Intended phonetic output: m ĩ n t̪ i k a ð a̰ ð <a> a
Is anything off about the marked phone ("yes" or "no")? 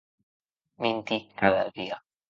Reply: yes